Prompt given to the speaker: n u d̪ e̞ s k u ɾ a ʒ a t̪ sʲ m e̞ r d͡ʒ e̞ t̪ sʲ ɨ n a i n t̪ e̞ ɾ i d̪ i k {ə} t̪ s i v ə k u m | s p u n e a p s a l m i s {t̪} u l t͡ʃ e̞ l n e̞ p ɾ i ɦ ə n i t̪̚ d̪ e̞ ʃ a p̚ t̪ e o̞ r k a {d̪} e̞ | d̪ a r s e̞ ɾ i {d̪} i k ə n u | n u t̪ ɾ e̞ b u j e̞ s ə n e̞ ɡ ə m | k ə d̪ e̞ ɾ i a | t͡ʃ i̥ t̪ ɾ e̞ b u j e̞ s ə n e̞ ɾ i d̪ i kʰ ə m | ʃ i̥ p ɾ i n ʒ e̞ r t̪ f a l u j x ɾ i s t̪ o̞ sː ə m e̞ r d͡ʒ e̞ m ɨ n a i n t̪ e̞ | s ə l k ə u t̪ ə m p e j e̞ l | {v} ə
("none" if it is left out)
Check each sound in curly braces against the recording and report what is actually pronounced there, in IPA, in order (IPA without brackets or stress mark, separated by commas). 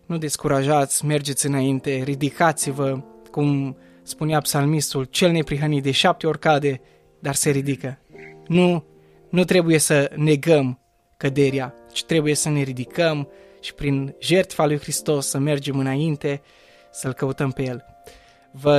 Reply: a, t̪, d̪, d̪, v